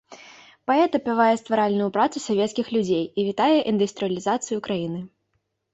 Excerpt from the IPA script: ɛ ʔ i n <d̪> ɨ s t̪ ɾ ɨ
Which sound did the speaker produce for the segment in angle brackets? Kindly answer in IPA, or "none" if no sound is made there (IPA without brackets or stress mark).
d̪